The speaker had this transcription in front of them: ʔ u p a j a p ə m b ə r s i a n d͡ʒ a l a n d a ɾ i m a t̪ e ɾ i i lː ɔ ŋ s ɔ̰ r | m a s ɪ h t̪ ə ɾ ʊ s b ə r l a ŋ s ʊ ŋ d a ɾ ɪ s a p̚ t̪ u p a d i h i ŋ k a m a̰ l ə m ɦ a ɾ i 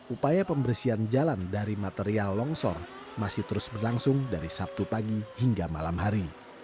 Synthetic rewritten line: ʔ u p a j a p ə m b ə r s i a n d͡ʒ a l a n d a ɾ i m a t̪ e ɾ i a lː ɔ ŋ s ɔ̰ r | m a s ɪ h t̪ ə ɾ ʊ s b ə r l a ŋ s ʊ ŋ d a ɾ i s a p̚ t̪ u p a ɡ i h i ŋ ɡ a m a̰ l a m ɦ a ɾ i